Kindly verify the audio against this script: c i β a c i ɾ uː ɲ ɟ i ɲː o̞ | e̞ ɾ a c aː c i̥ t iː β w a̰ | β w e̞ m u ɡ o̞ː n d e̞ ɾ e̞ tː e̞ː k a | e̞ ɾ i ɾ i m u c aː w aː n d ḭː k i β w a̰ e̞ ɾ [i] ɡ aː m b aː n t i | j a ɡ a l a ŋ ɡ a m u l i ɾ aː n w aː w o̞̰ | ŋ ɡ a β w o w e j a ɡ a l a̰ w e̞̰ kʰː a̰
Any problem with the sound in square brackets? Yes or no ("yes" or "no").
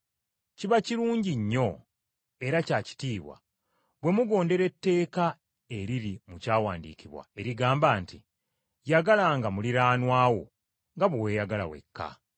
no